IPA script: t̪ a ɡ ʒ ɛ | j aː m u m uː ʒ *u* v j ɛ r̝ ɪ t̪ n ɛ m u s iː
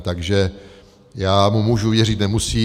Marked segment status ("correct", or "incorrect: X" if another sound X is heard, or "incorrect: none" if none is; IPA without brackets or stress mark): correct